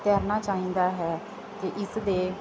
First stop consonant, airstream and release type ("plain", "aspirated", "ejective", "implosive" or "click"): plain